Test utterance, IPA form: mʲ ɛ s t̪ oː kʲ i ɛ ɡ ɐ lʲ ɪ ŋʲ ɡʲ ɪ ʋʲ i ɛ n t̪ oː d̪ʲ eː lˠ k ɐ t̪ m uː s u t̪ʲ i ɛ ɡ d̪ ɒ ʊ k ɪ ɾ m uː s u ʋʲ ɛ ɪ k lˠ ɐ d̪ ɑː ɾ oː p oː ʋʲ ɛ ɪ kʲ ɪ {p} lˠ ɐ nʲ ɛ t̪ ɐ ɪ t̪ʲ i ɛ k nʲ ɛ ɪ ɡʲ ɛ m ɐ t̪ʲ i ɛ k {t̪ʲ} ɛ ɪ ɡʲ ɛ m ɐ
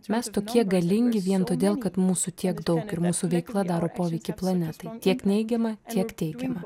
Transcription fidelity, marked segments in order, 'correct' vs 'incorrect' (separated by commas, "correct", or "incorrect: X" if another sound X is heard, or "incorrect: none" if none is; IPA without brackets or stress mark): correct, correct